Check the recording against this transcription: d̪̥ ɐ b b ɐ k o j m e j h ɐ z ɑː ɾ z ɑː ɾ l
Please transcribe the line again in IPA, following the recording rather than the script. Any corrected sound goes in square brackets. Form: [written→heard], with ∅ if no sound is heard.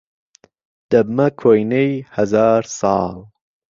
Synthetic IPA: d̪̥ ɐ b [b→m] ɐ [k→kʰ] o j [m→n] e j h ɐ z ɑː ɾ [z→s] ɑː [ɾ→∅] l